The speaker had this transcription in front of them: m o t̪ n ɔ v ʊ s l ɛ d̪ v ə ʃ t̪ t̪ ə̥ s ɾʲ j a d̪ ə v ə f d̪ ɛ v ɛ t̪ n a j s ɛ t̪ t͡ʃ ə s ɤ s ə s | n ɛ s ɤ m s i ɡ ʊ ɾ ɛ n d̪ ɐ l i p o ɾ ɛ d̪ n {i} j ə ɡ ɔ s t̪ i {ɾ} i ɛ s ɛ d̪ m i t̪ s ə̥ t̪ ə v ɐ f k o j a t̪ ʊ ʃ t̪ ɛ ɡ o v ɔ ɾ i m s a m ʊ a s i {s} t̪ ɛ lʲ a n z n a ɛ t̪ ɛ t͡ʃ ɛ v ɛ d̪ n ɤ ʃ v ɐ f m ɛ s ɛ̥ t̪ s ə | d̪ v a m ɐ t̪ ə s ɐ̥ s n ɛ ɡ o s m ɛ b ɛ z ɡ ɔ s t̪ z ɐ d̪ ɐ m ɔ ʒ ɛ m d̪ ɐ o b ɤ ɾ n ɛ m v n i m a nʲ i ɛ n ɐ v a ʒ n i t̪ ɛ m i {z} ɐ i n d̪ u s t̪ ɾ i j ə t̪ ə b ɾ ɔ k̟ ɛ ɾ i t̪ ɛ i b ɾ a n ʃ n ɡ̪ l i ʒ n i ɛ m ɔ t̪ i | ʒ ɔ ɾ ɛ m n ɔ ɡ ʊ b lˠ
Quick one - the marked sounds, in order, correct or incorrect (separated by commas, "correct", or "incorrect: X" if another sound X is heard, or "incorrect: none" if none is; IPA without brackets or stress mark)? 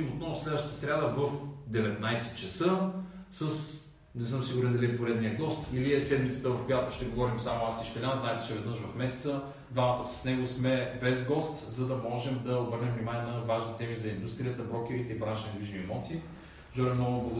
correct, incorrect: l, incorrect: ʃ, correct